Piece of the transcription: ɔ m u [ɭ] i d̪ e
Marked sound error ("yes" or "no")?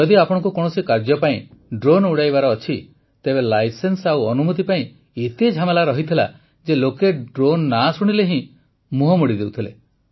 yes